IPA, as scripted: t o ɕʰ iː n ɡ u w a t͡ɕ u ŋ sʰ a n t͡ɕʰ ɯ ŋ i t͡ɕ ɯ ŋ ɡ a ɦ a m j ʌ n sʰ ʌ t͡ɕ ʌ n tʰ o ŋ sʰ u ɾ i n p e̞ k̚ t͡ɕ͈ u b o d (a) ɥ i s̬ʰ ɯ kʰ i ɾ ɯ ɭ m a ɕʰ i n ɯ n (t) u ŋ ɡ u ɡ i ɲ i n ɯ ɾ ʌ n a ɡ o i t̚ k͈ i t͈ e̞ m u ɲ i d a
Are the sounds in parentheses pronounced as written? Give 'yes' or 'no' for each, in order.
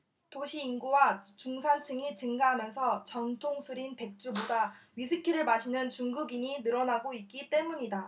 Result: yes, no

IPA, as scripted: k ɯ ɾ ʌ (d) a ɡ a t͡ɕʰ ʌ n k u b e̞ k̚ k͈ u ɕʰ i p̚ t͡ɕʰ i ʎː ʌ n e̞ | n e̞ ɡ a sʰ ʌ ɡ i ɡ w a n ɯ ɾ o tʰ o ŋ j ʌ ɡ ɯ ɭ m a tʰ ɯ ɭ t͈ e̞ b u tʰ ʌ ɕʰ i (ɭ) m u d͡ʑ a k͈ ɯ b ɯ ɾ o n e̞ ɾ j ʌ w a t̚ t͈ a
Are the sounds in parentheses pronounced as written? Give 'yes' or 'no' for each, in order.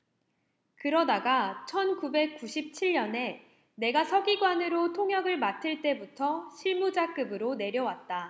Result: yes, yes

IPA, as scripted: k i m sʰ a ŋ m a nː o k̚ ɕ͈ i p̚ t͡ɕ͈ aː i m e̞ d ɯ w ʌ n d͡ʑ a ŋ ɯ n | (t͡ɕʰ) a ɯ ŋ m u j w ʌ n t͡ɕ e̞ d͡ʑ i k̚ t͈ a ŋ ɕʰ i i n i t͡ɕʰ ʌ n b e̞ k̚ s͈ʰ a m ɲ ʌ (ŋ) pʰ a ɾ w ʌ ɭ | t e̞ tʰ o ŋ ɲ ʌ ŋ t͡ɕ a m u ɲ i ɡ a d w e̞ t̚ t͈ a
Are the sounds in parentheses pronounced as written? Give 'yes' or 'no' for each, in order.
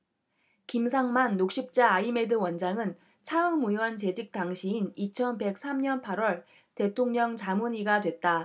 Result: yes, no

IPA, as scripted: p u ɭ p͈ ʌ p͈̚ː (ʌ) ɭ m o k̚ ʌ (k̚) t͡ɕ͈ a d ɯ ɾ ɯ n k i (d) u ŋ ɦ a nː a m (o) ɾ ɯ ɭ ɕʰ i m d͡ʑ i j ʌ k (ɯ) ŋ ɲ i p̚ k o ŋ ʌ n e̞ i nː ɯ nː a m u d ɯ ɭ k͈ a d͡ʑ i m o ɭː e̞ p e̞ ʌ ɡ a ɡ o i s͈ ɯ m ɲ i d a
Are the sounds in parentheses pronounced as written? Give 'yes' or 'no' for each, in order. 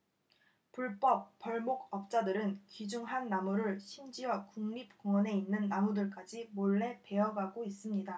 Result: yes, no, no, no, no

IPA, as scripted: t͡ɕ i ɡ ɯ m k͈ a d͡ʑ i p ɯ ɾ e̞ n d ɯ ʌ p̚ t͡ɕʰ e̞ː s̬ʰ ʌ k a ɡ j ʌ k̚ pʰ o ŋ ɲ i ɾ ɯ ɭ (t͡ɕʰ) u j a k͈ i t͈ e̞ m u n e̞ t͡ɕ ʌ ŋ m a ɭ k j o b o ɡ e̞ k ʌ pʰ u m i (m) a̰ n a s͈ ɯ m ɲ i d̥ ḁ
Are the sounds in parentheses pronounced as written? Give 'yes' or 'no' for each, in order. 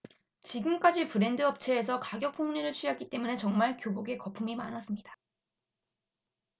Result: yes, yes

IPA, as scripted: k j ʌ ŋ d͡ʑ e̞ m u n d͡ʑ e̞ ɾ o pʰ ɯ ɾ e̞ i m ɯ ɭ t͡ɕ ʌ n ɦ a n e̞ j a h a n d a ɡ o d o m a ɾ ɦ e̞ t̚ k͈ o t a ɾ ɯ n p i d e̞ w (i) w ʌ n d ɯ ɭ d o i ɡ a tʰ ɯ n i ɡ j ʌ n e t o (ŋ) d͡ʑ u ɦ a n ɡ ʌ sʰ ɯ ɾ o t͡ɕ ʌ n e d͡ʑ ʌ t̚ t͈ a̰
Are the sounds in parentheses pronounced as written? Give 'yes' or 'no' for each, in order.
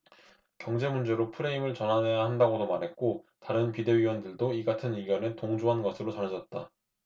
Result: yes, yes

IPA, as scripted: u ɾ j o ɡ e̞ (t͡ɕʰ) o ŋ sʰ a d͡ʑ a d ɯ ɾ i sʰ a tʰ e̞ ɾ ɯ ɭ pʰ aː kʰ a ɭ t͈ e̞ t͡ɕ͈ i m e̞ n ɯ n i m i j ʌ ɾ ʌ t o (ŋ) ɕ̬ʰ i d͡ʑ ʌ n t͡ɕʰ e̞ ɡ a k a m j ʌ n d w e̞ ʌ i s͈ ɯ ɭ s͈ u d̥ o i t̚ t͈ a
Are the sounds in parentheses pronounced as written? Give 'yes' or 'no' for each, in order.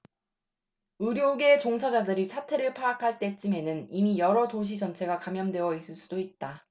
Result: no, no

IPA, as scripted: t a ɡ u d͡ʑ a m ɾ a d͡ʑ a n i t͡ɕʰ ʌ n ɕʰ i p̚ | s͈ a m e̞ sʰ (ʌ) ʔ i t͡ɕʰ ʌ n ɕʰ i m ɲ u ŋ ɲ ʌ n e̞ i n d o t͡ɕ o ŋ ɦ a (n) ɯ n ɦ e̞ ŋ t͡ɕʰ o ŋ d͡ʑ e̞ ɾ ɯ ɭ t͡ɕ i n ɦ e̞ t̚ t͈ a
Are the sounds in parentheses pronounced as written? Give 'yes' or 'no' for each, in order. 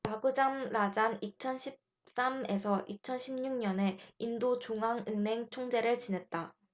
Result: yes, no

